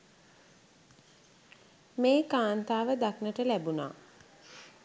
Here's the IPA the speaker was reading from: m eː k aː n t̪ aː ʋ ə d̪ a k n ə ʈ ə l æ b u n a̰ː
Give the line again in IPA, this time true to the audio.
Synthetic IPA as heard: m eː k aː n t̪ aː ʋ ə d̪ a k n ə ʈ ə l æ b u n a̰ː